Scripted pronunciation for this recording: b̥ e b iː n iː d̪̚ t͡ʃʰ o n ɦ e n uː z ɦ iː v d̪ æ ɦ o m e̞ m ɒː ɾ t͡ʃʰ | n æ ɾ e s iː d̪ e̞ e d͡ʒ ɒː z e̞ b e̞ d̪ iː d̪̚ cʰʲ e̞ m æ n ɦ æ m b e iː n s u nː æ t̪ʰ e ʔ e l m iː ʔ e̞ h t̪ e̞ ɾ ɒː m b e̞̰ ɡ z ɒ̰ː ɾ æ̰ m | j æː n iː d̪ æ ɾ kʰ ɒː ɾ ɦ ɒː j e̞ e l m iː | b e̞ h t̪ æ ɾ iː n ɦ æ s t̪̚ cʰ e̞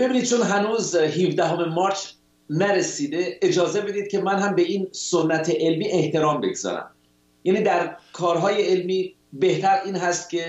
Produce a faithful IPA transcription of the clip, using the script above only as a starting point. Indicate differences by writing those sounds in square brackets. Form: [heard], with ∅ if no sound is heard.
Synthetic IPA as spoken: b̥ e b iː n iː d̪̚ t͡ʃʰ o n ɦ [æ] n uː z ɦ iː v d̪ æ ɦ o m e̞ m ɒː ɾ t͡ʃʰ | n æ ɾ e s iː d̪ e̞ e d͡ʒ ɒː z e̞ b e̞ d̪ iː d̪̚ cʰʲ e̞ m æ n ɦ æ m b e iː n s [o] nː æ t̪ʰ e ʔ e l m iː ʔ e̞ h t̪ e̞ ɾ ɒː m b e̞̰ ɡ z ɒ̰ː ɾ æ̰ m | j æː n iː d̪ æ ɾ kʰ ɒː ɾ ɦ ɒː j e̞ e l m iː | b e̞ h t̪ æ ɾ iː n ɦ æ s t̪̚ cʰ e̞